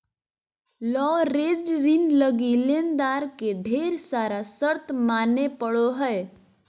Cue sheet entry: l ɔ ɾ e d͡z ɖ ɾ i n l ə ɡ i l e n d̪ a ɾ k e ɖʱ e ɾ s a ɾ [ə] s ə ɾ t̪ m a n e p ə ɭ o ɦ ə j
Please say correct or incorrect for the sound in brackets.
incorrect